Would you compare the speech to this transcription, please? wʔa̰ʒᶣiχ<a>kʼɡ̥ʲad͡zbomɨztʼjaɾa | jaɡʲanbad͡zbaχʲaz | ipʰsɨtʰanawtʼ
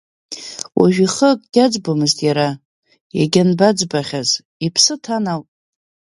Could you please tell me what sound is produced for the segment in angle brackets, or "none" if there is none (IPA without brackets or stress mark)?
ə